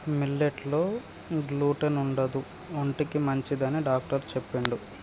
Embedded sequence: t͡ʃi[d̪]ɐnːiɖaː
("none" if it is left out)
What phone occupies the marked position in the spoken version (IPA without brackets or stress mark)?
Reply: d̪